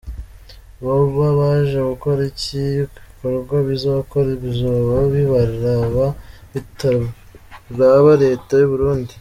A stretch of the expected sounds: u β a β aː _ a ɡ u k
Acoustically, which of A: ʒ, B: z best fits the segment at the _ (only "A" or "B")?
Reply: A